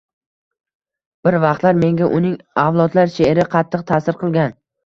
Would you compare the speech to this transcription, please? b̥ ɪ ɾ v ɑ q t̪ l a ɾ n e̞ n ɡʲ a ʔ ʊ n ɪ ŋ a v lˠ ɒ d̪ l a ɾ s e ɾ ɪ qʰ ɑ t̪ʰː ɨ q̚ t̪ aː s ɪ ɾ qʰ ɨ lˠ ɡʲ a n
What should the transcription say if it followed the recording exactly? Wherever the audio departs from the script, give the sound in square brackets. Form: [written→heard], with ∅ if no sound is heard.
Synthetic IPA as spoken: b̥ ɪ ɾ v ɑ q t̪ l a ɾ [n→m] e̞ [n→ŋ] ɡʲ a ʔ ʊ n ɪ ŋ a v lˠ ɒ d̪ l a ɾ [s→ʃ] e ɾ ɪ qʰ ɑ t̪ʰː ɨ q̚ [t̪→t̪ʰ] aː s ɪ ɾ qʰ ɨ lˠ ɡʲ a n